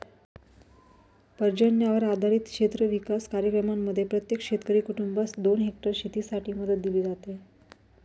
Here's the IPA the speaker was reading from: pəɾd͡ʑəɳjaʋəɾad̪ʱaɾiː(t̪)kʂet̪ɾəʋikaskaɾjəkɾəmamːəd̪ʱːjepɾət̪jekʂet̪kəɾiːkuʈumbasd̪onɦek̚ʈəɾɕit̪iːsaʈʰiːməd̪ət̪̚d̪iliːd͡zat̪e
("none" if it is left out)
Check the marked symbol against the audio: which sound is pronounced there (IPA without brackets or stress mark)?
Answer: t̪